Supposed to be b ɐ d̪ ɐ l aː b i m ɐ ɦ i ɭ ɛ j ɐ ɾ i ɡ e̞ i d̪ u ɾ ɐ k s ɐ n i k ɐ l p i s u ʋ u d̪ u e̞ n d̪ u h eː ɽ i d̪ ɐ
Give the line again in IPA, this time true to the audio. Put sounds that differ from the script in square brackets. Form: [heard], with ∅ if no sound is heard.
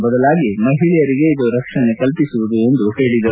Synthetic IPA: b ɐ d̪ ɐ l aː [ɡ] i m ɐ ɦ i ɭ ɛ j ɐ ɾ i ɡ e̞ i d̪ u ɾ ɐ k [ʂ] ɐ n [e] k ɐ l p i s u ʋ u d̪ u e̞ n d̪ u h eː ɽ i d̪ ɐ

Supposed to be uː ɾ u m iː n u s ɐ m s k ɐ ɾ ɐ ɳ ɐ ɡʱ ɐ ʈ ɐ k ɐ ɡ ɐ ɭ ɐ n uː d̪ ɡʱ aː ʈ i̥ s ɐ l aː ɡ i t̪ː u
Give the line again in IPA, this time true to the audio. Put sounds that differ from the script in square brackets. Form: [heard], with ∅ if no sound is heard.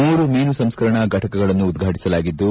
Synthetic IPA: uː ɾ u m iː n u s ɐ m s k ɐ ɾ ɐ ɳ ɐ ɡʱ ɐ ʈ ɐ k ɐ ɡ ɐ ɭ ɐ [nː] uː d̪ ɡʱ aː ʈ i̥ s ɐ l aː ɡ i [d̪ː] u

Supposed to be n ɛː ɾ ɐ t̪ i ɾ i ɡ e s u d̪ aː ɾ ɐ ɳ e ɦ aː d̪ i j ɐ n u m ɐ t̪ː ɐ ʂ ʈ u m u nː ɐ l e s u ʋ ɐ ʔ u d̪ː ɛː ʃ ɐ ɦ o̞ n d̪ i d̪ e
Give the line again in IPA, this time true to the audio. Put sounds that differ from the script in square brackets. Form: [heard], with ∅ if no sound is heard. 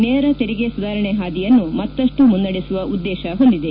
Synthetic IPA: n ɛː ɾ ɐ t̪ [e] ɾ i ɡ e s u d̪ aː ɾ ɐ ɳ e ɦ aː d̪ i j ɐ [nː] u m ɐ t̪ː ɐ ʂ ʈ u m u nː ɐ [ɽ] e s u ʋ ɐ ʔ u d̪ː ɛː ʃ ɐ ɦ o̞ n d̪ i d̪ e

